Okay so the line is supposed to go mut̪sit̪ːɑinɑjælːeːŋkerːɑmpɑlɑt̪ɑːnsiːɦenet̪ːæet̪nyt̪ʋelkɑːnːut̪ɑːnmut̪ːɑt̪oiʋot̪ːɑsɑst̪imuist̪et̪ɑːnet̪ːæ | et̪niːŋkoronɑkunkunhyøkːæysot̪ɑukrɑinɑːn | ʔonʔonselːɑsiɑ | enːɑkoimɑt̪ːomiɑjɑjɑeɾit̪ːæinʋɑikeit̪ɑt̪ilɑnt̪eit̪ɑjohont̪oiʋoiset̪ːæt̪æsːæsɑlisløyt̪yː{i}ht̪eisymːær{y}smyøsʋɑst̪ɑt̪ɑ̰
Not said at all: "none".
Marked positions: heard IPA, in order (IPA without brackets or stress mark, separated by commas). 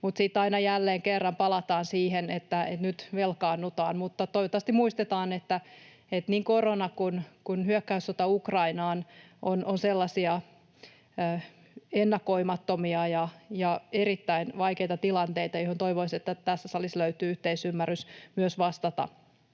y, y